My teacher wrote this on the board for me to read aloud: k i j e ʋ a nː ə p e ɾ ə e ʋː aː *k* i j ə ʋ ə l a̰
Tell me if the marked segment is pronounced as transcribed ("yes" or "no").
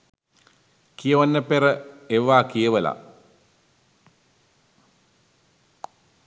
yes